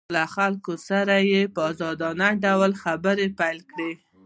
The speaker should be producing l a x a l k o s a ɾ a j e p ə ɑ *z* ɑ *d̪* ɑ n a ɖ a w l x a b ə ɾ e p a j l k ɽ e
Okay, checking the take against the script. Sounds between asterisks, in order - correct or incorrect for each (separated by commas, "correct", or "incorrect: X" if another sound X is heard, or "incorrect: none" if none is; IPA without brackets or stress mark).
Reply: correct, correct